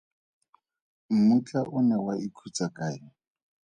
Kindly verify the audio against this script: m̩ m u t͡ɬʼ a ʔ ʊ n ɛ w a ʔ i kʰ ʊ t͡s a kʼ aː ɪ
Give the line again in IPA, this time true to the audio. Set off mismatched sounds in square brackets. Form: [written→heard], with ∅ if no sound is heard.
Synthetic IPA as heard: m̩ m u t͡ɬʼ a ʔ ʊ n ɛ w a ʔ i kʰ [ʊ→u] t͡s a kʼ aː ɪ